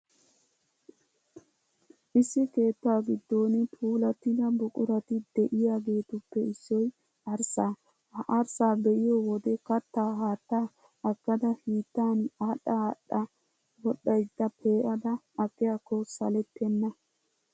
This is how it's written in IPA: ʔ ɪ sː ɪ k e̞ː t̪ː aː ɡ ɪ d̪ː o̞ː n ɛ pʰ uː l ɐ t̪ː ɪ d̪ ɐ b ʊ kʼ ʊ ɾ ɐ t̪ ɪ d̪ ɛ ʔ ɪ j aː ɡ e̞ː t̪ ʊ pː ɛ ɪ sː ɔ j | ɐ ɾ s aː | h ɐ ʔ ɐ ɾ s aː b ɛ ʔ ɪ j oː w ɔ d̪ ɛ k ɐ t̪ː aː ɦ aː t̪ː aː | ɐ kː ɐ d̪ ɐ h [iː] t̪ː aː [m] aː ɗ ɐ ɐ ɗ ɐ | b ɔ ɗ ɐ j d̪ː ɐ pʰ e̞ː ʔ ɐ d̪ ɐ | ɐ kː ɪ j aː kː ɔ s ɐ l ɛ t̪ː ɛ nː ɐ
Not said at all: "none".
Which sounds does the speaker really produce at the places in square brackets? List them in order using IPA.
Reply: iː, n

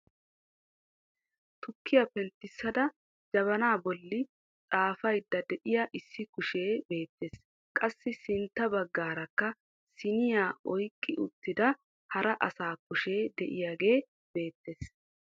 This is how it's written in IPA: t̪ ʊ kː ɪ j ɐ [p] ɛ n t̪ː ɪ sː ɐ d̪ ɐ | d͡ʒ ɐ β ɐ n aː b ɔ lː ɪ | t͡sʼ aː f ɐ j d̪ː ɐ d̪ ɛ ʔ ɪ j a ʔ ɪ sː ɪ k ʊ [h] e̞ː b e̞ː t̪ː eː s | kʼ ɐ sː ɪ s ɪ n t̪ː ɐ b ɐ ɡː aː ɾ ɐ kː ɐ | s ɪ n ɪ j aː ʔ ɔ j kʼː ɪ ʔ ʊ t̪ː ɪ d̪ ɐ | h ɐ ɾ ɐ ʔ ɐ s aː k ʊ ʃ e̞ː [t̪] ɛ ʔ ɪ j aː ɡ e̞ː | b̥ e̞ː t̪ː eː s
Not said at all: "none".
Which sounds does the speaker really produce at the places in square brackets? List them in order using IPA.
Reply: p, ʃ, d̪

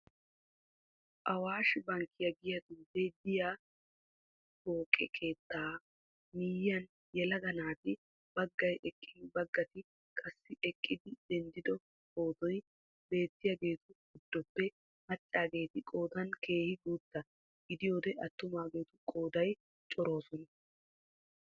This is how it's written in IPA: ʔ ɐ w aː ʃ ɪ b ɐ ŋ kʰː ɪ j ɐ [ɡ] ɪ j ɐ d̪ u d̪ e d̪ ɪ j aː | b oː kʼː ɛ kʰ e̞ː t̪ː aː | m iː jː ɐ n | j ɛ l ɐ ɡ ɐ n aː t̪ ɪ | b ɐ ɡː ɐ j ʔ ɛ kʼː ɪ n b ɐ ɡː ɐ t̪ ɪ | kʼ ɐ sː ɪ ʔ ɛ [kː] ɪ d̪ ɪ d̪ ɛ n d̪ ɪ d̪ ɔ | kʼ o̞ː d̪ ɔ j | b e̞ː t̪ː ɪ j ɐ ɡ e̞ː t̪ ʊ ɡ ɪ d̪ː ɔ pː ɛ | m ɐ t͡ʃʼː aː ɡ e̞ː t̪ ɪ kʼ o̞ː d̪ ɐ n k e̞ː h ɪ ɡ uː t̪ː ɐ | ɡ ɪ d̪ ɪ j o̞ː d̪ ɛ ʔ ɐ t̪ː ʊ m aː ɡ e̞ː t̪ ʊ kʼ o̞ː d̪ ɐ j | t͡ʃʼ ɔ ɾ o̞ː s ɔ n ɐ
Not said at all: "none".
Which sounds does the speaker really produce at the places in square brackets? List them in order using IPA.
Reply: ɡ, kʼː

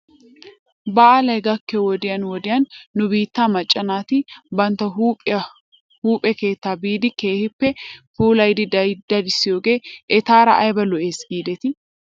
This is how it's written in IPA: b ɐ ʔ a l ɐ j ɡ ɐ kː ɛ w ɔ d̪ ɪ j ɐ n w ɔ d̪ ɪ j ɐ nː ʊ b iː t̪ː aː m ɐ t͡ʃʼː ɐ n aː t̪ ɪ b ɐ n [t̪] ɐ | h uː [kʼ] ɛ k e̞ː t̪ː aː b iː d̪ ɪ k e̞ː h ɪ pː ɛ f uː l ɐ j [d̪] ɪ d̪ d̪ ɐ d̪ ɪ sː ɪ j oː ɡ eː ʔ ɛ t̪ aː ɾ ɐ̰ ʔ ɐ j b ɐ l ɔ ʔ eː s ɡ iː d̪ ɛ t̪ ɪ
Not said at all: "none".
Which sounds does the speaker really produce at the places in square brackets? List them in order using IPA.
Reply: t̪, pʼ, d̪

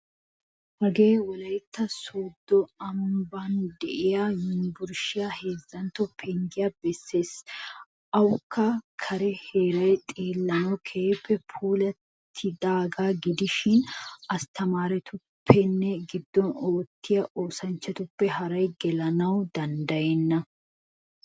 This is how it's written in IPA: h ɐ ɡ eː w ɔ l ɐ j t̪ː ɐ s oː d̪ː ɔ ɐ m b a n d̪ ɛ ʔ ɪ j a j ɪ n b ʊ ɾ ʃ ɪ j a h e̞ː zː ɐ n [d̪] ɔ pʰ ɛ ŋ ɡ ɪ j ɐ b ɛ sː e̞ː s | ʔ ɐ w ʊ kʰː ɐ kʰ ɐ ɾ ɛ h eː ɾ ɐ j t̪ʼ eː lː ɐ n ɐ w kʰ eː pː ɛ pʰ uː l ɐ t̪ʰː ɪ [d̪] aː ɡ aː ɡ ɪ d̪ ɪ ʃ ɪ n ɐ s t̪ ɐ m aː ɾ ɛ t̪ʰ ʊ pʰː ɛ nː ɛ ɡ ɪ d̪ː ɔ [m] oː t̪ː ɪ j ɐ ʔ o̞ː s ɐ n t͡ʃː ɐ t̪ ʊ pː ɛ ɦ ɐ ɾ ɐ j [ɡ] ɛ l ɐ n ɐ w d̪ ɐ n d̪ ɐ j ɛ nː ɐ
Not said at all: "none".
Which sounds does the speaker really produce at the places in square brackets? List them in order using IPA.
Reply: t̪, d̪, n, ɡ

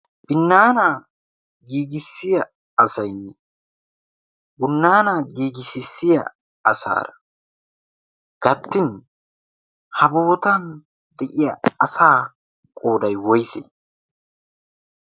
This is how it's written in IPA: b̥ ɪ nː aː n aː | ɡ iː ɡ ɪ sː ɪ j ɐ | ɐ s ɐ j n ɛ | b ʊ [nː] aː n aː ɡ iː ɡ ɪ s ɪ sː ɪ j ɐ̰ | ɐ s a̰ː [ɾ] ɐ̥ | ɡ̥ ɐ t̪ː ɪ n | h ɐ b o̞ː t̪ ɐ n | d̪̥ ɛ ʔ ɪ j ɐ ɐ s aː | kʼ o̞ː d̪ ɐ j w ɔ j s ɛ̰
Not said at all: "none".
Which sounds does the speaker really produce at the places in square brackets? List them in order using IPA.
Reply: nː, ɾ

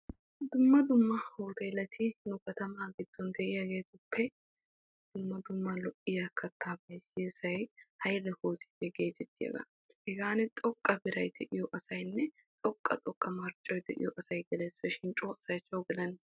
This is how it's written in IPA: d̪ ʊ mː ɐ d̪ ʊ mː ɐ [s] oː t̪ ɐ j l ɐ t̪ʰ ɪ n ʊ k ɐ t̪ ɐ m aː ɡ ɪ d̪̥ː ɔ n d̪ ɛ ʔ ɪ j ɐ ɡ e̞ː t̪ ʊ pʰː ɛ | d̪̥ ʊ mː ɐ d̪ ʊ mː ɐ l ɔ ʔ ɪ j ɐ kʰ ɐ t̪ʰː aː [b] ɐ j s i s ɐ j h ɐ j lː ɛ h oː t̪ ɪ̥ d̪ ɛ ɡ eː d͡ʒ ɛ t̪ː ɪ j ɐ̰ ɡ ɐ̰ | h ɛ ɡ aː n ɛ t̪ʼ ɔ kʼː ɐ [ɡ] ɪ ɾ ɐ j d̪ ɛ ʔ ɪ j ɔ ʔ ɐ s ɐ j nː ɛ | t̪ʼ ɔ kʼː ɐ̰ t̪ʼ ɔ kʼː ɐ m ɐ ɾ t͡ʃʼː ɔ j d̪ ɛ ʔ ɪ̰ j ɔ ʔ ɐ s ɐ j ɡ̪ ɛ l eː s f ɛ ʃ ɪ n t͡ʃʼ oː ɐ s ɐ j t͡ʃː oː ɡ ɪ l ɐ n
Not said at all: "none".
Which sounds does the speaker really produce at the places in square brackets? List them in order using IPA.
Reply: h, b, b

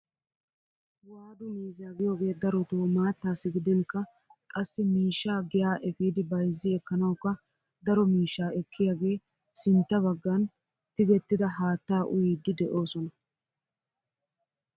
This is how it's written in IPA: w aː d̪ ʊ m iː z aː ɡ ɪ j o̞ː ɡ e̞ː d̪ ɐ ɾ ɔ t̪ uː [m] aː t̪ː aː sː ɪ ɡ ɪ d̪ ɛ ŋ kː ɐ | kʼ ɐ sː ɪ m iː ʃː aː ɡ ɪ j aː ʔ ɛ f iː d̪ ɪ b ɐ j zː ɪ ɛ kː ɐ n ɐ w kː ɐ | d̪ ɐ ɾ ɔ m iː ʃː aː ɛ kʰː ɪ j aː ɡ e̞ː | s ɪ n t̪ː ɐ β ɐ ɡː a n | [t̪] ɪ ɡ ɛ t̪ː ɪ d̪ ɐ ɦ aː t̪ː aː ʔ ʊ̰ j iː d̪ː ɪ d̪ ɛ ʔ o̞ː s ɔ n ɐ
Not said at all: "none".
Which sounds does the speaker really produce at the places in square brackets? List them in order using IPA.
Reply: m, t̪

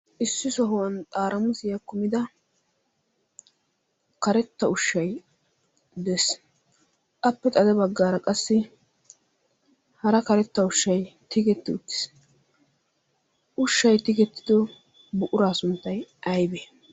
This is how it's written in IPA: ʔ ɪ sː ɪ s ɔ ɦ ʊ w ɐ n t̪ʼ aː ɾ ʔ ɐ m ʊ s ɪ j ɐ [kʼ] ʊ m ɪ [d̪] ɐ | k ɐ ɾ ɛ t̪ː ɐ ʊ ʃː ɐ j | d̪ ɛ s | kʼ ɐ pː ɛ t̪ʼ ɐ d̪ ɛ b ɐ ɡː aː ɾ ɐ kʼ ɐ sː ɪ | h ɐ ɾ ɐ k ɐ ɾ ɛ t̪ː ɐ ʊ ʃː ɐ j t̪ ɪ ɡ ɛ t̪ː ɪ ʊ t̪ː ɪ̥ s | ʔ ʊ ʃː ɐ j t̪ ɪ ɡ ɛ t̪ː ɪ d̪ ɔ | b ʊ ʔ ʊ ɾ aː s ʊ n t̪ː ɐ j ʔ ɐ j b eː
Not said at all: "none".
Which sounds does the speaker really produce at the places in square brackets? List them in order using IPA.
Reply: k, d̪

